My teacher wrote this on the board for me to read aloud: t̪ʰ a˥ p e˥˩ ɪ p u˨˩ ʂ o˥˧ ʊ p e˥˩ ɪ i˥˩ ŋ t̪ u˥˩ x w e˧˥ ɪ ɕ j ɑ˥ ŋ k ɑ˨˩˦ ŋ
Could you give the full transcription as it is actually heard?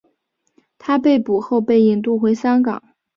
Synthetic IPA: t̪ʰ a˥ p e˥˩ ɪ p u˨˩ x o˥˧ ʊ p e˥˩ ɪ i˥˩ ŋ t̪ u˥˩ x w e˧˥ ɪ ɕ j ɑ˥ ŋ k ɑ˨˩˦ ŋ